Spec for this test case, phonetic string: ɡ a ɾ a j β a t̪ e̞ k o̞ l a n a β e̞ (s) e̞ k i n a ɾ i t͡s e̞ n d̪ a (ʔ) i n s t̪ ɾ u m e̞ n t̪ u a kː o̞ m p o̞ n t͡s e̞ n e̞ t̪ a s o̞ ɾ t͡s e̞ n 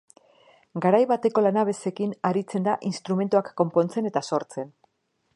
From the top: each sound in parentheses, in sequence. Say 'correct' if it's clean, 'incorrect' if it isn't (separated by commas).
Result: correct, correct